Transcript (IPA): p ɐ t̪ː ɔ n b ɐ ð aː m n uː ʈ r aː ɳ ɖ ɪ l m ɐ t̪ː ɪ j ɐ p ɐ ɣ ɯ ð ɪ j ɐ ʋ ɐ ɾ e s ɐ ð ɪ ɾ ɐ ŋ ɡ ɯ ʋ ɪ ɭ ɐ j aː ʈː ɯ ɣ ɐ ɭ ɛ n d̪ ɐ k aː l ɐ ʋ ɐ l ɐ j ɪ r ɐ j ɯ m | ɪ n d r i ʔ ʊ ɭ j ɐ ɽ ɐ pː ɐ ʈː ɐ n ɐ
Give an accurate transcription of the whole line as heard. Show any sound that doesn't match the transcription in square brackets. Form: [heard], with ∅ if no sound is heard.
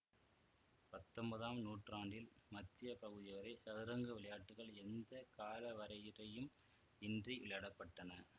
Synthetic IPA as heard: p ɐ t̪ː ɔ [m] b ɐ ð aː m n uː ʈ r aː ɳ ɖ ɪ l m ɐ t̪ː ɪ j ɐ p ɐ ɣ ɯ ð ɪ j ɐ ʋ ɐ ɾ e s ɐ ð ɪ ɾ ɐ ŋ ɡ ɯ ʋ ɪ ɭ ɐ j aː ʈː ɯ ɣ ɐ ɭ ɛ n d̪ ɐ k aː l ɐ ʋ ɐ [ɾ] ɐ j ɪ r ɐ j ɯ m | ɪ n d r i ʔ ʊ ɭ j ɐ ɽ ɐ pː ɐ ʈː ɐ n ɐ